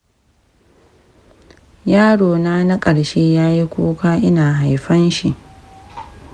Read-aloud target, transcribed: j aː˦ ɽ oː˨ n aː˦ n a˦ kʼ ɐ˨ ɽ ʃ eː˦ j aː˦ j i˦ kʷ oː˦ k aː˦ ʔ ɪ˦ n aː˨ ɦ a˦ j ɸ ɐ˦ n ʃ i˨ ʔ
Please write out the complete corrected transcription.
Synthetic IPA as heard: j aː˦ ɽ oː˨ n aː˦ n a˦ kʼ ɐ˨ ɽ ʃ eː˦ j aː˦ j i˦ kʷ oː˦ k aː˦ ʔ ɪ˦ n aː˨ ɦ a˨ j ɸ ɐ˦ n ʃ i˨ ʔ